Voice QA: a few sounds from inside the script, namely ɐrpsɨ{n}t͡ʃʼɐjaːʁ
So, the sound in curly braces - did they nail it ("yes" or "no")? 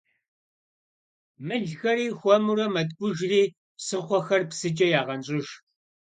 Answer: no